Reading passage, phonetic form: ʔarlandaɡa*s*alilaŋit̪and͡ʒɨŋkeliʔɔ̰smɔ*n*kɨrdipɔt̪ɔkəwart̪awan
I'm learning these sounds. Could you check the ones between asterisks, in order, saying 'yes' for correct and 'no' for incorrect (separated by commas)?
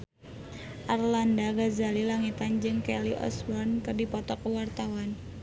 no, yes